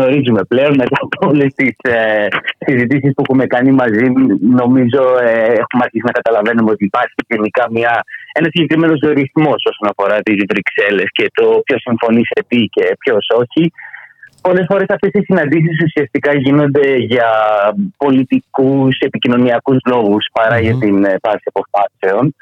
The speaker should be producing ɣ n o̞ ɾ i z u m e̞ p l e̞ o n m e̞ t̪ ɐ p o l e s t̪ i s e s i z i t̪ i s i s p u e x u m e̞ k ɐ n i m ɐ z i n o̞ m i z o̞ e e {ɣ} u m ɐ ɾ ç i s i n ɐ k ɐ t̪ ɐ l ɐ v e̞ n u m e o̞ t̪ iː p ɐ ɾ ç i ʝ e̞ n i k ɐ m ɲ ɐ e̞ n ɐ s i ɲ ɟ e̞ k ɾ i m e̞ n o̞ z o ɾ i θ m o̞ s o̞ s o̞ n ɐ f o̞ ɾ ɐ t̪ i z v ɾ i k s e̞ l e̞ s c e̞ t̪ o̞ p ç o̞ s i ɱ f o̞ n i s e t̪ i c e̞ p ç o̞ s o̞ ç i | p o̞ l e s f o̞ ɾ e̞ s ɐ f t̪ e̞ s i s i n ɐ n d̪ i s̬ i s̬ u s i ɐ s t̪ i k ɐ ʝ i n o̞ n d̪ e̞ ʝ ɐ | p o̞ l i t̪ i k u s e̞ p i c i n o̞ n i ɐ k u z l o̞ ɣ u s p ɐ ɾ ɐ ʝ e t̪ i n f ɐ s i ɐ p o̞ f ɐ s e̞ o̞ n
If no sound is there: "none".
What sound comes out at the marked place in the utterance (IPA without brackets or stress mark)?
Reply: x